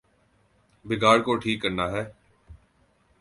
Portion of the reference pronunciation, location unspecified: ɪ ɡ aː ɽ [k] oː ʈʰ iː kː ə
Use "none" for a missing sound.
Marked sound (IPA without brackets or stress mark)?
k